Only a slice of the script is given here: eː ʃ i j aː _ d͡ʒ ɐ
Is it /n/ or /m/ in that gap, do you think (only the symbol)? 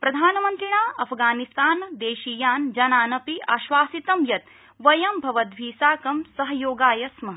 n